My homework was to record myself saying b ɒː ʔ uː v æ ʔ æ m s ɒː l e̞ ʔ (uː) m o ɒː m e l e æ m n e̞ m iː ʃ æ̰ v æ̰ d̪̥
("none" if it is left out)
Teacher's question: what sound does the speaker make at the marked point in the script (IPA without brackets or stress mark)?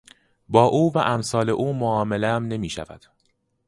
uː